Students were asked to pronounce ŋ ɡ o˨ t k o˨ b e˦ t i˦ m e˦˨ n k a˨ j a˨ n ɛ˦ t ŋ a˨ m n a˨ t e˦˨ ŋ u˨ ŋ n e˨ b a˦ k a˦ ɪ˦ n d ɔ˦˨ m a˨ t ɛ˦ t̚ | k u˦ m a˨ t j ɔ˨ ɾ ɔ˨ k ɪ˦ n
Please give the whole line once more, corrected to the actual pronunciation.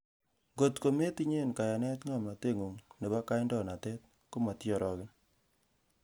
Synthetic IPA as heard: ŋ ɡ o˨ t k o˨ m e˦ t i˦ ɲ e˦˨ n k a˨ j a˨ n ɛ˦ t ŋ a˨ m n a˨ t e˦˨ ŋ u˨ ŋ n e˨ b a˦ k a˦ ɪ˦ n d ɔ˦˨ n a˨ t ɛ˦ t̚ | k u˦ m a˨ t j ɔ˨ ɾ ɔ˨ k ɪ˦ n